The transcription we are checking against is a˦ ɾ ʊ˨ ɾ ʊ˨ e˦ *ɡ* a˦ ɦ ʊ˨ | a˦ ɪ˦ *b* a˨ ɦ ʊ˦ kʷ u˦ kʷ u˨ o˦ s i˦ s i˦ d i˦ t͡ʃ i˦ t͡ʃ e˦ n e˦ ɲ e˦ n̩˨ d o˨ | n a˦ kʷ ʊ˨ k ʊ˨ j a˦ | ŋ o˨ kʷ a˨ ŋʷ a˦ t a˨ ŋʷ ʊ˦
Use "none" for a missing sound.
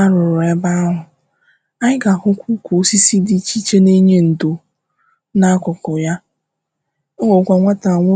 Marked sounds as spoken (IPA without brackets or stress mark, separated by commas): b, ɡ